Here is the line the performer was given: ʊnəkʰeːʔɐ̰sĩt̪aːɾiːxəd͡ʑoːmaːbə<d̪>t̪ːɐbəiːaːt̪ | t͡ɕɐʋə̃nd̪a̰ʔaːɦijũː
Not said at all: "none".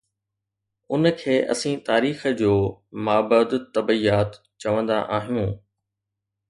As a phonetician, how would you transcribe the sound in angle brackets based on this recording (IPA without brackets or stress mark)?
d̪